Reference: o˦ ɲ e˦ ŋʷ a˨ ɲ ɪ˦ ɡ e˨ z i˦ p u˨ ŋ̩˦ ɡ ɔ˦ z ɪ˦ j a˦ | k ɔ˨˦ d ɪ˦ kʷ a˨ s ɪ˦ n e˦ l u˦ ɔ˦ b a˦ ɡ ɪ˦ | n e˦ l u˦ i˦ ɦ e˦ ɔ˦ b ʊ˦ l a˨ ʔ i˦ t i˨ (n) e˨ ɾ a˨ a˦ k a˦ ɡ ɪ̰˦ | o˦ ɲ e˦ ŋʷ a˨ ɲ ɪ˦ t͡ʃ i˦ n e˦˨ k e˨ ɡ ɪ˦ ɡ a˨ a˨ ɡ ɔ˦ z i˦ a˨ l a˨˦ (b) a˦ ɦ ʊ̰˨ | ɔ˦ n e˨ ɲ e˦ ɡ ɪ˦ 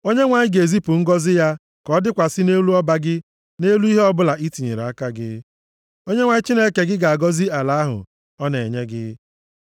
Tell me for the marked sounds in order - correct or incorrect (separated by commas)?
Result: incorrect, incorrect